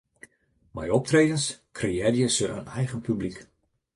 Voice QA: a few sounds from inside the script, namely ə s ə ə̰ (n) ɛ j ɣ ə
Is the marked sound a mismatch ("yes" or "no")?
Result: no